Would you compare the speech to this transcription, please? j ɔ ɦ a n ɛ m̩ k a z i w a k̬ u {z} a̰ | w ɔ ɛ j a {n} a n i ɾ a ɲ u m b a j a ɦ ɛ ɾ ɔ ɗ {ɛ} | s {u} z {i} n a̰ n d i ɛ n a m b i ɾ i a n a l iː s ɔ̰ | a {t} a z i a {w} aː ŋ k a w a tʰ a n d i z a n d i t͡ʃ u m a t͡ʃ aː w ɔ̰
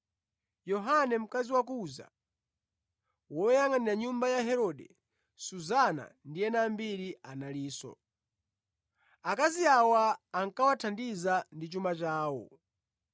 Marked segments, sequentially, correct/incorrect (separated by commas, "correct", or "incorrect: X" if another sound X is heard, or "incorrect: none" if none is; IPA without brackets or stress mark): correct, incorrect: ŋ, correct, correct, incorrect: a, incorrect: k, correct